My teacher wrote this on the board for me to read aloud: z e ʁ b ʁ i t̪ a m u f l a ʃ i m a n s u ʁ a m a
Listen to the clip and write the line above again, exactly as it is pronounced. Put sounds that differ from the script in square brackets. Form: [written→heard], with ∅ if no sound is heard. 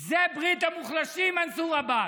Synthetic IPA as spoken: z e [ʁ→∅] b ʁ i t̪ a m u [f→χ] l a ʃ i m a n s u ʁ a [m→b] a